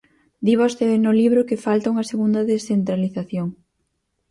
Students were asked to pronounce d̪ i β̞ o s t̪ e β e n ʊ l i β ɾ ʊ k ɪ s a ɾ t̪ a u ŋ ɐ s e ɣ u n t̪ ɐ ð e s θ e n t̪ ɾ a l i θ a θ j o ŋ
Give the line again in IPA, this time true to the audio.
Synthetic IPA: d̪ i β̞ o s t̪ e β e n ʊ l i β ɾ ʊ k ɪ f a l t̪ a u ŋ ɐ s e ɣ u n d̪ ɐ ð e s θ e n t̪ ɾ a l i θ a θ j o ŋ